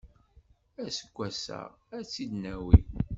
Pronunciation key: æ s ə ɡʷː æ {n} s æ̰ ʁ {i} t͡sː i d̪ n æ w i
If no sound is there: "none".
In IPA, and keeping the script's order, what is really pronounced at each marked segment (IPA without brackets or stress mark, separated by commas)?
none, æ